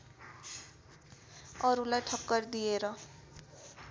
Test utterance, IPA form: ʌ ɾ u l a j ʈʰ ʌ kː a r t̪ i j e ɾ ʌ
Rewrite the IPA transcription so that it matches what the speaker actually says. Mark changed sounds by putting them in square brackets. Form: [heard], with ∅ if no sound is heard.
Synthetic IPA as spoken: ʌ ɾ u l a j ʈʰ ʌ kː [ʌ] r [d̪] i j e ɾ ʌ

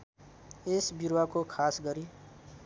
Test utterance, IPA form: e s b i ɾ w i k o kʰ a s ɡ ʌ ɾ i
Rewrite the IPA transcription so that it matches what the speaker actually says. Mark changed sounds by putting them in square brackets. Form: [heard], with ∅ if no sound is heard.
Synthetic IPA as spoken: e s b i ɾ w [a] k o kʰ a s ɡ ʌ ɾ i

